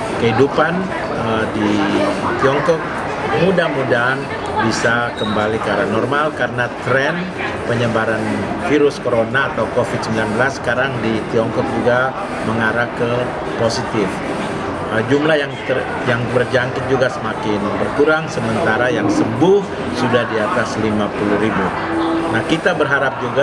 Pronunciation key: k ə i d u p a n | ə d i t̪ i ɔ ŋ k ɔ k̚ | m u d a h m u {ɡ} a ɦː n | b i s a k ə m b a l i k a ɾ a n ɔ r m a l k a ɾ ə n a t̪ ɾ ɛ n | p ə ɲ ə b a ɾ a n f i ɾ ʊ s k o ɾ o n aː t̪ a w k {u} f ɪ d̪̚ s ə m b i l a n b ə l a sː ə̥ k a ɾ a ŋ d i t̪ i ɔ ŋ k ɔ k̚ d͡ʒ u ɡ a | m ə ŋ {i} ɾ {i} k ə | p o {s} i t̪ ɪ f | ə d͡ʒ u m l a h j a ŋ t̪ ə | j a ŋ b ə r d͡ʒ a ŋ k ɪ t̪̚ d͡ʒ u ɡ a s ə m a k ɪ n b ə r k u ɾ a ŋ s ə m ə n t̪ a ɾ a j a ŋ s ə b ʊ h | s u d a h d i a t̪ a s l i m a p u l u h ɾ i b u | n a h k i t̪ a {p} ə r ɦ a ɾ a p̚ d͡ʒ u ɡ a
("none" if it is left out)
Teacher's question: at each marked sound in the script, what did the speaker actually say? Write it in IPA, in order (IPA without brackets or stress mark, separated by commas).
d, o, a, a, s, b